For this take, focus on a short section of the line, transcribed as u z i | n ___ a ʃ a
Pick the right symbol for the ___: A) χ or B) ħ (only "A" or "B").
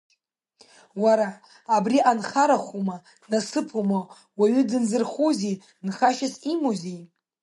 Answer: A